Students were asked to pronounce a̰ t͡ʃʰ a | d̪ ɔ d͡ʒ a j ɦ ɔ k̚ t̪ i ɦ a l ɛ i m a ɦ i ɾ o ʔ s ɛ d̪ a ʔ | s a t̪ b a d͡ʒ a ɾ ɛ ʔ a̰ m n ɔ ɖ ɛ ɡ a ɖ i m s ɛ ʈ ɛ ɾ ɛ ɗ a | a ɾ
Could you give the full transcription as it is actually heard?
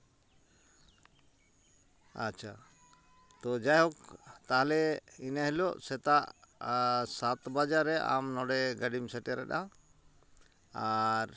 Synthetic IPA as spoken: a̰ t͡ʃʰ a | t̪ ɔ d͡ʒ a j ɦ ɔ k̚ t̪ a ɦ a l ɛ i n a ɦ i l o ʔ s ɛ t̪ a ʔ | s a t̪ b a d͡ʒ a ɾ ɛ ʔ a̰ m n ɔ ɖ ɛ ɡ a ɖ i m s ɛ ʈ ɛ ɾ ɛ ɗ a | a ɾ